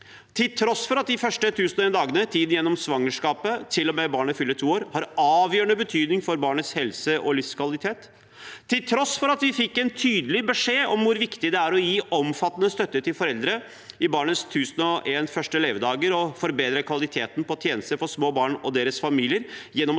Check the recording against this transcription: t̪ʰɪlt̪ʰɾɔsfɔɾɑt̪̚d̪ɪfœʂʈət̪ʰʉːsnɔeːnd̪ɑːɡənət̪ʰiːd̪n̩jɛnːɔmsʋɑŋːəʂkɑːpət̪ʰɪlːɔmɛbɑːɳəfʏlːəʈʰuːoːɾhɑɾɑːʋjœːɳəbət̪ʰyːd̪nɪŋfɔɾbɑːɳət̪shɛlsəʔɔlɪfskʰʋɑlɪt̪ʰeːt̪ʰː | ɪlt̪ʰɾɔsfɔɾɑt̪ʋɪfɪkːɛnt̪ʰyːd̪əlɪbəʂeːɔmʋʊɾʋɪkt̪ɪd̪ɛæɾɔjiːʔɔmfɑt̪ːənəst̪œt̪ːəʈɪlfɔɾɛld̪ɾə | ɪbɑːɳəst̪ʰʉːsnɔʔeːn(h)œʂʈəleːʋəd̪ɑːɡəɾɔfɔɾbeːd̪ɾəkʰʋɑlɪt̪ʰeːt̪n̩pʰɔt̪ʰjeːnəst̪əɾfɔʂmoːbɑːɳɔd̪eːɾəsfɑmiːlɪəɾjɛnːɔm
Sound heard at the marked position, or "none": f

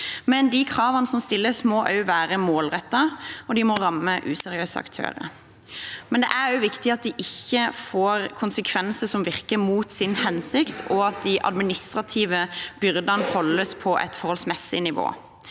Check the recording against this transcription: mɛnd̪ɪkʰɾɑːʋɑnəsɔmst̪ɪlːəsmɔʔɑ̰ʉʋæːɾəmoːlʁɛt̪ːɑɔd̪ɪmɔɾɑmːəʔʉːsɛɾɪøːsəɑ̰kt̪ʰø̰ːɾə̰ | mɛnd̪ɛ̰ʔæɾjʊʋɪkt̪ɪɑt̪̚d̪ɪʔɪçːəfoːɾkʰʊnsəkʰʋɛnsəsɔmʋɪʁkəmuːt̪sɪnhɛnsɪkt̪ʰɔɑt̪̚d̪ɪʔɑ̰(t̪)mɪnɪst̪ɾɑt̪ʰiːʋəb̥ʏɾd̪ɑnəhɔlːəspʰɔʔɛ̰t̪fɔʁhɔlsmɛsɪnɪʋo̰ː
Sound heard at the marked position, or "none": d̪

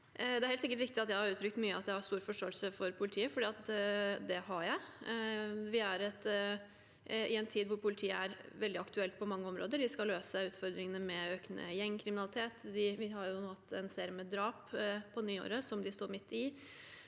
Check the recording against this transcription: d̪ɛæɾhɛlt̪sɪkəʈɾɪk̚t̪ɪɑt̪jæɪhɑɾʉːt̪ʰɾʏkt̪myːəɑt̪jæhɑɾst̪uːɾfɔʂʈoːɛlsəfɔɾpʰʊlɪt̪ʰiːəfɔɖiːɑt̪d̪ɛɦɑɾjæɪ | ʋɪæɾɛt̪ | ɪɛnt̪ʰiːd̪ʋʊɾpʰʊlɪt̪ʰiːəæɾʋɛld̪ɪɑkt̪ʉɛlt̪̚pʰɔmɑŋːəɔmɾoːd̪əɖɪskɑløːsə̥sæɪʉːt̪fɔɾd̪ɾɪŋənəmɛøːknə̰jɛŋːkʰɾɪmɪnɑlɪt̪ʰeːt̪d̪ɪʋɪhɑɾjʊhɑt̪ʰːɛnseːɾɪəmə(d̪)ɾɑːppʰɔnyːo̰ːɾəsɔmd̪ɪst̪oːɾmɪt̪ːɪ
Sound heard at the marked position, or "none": d̪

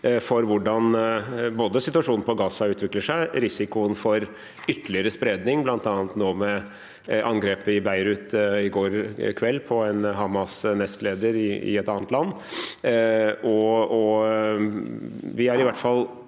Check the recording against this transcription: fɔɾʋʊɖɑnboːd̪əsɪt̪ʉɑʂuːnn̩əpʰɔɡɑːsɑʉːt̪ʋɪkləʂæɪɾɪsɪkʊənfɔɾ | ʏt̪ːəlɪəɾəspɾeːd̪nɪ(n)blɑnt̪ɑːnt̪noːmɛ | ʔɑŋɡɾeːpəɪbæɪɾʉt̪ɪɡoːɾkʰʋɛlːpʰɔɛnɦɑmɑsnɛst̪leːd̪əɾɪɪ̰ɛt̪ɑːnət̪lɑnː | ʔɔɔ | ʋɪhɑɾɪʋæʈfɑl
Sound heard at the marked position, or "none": ŋ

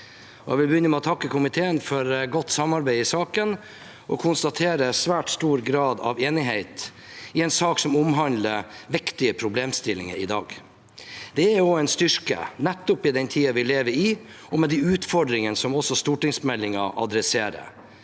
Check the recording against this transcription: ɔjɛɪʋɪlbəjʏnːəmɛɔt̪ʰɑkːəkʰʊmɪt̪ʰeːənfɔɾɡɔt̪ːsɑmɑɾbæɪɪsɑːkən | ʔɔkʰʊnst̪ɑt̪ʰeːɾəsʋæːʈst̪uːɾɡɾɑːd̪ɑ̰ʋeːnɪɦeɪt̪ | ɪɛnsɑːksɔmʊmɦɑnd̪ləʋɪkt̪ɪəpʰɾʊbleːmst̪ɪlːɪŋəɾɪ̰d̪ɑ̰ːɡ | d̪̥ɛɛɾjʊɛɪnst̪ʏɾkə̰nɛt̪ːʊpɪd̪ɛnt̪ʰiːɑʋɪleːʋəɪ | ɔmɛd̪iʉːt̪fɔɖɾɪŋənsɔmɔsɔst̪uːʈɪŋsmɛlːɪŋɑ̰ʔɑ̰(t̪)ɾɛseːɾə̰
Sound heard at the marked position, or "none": d̪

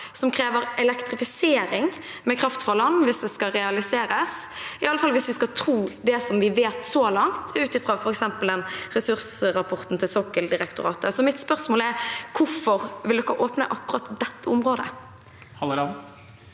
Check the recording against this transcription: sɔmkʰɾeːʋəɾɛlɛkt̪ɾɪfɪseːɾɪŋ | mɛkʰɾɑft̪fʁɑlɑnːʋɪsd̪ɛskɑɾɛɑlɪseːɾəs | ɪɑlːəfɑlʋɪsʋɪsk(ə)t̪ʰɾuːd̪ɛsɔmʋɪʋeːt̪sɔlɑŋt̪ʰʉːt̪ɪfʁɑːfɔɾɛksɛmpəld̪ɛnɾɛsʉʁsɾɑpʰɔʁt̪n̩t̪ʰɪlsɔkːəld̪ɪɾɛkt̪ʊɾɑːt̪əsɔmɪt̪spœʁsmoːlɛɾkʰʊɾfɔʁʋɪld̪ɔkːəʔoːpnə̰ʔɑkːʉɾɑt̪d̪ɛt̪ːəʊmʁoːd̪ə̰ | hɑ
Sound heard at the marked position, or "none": ɑ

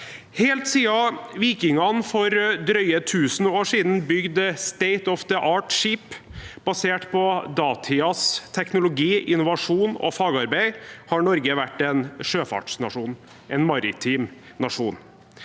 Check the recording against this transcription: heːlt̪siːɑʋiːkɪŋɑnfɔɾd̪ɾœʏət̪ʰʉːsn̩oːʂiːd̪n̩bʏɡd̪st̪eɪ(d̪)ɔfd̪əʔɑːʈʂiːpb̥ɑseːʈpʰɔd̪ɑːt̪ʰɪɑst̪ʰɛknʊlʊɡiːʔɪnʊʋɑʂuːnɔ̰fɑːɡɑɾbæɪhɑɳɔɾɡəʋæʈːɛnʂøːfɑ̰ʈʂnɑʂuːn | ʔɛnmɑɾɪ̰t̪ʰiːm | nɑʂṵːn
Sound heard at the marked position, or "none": t̪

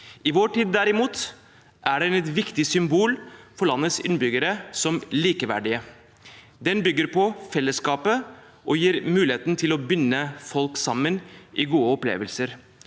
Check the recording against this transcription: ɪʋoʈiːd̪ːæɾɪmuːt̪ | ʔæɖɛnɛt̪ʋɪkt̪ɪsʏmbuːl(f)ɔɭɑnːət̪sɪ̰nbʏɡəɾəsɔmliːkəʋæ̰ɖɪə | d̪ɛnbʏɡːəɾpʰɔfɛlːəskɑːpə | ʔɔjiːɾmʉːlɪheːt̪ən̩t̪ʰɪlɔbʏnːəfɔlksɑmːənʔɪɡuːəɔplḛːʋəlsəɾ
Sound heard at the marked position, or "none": f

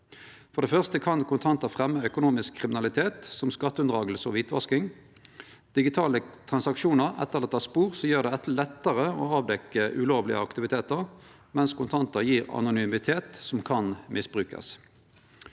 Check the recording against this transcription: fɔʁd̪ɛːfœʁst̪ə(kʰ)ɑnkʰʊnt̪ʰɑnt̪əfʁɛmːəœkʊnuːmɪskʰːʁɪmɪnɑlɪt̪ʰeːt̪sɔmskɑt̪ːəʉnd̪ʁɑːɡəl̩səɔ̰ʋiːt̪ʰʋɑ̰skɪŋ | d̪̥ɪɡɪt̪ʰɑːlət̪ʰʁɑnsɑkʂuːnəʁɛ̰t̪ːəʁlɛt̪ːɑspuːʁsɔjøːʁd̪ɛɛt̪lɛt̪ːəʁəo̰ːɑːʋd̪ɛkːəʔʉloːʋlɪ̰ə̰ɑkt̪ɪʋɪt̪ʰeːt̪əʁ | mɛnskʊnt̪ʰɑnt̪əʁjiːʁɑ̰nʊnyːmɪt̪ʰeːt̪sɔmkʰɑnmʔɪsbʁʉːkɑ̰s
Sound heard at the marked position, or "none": kʰ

